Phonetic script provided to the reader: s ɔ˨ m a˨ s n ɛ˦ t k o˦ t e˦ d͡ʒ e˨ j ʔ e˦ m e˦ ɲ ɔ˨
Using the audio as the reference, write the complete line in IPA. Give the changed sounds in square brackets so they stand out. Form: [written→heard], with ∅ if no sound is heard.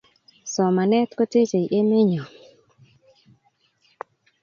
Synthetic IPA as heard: s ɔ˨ m a˨ [s→∅] n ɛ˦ t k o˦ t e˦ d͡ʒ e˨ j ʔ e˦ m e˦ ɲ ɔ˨